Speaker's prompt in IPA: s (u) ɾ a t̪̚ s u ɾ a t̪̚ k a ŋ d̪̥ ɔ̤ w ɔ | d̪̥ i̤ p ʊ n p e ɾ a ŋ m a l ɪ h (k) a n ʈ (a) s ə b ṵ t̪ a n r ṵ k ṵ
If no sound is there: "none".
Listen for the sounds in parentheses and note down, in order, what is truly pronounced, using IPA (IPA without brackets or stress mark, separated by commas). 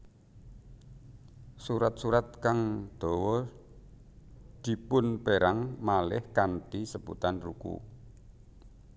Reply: u, k, i